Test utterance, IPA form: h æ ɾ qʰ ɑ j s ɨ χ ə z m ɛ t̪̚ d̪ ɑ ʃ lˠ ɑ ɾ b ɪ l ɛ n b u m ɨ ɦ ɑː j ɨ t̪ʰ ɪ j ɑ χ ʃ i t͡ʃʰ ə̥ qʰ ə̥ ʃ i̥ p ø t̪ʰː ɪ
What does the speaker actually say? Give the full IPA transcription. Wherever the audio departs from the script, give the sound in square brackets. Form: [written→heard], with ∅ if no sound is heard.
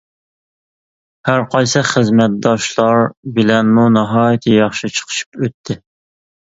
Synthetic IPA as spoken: h æ ɾ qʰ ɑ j s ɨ χ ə z m ɛ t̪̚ d̪ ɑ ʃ lˠ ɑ ɾ b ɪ l ɛ n [b→m] u [m→n] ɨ ɦ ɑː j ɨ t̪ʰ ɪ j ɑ χ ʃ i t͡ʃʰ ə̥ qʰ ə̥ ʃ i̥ p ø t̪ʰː ɪ